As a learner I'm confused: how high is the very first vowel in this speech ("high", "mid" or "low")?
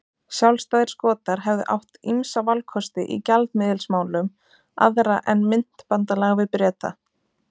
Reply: low